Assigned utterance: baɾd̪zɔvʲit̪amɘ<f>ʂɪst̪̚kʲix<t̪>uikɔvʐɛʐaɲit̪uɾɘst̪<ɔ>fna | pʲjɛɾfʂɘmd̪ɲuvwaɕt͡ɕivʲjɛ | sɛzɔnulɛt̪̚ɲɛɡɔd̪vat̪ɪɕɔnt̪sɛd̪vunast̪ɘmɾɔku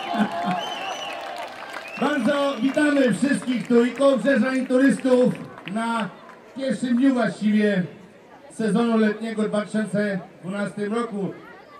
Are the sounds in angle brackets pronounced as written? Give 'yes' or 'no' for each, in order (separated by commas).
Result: yes, yes, no